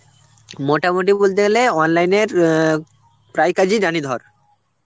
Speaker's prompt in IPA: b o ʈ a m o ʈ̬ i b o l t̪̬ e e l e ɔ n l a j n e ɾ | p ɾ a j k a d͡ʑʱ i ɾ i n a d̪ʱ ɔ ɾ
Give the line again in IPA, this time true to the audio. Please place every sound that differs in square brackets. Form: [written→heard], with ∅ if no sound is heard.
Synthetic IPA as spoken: [b→m] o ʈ a m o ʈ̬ i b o l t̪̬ e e l e ɔ n l a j n e ɾ | p ɾ a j k a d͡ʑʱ i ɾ [i→a] n [a→i] d̪ʱ ɔ ɾ